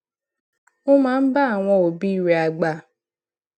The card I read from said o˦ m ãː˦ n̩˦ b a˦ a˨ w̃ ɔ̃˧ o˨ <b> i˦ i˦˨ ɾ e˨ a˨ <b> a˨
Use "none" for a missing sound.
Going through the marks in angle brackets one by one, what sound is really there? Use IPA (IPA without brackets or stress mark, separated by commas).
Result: b, ɡ͡b